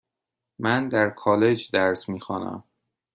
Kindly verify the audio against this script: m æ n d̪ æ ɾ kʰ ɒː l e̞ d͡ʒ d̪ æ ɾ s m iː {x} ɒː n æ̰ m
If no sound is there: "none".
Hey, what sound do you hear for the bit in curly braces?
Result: x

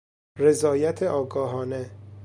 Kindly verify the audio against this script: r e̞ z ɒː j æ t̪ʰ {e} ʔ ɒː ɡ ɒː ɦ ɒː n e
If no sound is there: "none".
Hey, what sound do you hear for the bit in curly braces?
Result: e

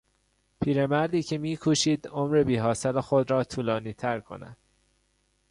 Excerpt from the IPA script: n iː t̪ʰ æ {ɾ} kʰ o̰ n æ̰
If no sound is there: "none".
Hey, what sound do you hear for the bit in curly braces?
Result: ɾ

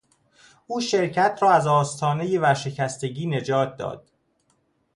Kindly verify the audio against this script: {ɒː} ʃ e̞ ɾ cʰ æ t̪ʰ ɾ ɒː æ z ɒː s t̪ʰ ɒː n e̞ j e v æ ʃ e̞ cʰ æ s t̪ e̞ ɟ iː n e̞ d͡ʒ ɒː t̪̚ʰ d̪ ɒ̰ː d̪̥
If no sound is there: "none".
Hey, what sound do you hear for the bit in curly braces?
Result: uː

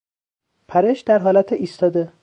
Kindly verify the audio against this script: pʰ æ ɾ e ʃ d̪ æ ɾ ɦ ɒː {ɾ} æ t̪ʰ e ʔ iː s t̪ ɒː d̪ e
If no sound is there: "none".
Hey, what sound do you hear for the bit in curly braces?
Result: l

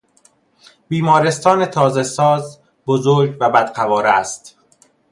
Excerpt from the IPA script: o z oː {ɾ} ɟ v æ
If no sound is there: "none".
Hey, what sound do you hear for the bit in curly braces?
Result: ɾ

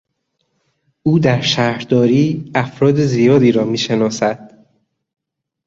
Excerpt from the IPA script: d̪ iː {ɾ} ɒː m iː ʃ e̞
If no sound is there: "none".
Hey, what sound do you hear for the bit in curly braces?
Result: ɾ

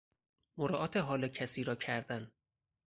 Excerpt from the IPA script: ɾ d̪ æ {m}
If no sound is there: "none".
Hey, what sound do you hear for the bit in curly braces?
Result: n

